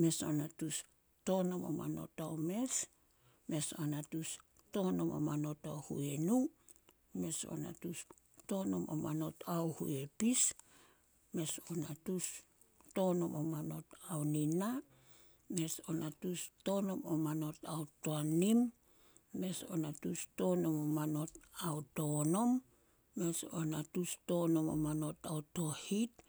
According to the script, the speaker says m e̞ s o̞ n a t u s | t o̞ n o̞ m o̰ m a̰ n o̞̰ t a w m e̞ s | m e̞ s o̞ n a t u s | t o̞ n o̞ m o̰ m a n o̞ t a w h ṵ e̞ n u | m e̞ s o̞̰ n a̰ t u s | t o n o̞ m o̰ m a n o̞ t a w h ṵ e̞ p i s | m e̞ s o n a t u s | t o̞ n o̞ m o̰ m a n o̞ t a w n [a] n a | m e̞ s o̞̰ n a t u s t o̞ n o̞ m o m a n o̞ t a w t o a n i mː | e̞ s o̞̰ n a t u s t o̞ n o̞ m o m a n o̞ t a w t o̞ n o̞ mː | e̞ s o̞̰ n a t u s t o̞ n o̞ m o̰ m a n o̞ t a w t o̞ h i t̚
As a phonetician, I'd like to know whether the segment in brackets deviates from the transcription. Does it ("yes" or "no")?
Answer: yes